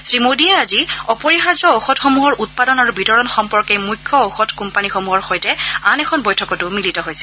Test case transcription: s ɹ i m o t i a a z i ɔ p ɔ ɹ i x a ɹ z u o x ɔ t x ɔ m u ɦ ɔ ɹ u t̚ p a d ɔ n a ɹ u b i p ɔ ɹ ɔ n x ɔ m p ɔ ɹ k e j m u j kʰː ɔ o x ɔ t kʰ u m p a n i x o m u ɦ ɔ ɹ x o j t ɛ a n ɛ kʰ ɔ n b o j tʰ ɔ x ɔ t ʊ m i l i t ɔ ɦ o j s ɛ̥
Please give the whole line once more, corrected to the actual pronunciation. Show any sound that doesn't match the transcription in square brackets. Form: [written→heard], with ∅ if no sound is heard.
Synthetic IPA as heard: s ɹ i m o [t→d] i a a z i ɔ p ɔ ɹ i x a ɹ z [u→ɔ] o x ɔ t x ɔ m u ɦ ɔ ɹ u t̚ p a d ɔ n a ɹ u b i [p→t] ɔ ɹ ɔ n x ɔ m p ɔ ɹ k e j m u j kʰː ɔ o x ɔ t [kʰ→k] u m p a n i x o m u ɦ ɔ ɹ x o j t ɛ a n ɛ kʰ ɔ n b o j tʰ ɔ [x→k] ɔ t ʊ m i l i t ɔ ɦ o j s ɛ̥